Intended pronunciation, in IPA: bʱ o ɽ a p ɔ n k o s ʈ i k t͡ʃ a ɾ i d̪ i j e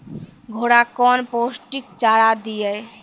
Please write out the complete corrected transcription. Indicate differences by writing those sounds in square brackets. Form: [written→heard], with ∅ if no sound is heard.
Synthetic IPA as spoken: [bʱ→ɡʱ] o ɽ a [p→k] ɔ n [k→p] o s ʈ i k t͡ʃ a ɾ [i→a] d̪ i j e